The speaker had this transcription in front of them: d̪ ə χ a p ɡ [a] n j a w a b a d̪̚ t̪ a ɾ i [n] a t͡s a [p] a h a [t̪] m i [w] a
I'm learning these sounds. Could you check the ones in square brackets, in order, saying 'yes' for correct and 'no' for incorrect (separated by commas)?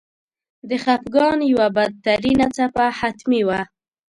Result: no, yes, yes, yes, yes